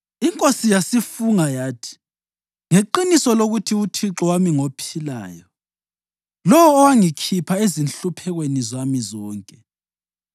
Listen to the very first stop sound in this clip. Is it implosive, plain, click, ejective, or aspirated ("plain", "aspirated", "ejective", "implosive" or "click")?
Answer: ejective